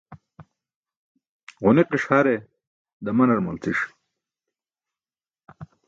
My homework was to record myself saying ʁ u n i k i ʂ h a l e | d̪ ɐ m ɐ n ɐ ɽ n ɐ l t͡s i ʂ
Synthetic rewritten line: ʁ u n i q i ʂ h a ɾ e | d̪ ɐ m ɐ n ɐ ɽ m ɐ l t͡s i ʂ